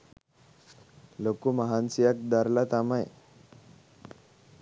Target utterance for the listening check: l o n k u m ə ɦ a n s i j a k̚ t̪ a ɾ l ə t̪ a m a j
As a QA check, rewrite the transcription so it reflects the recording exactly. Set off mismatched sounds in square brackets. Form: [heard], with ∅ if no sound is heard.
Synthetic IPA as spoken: l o [∅] k u m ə ɦ a n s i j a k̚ [d̪] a ɾ l [a] t̪ a m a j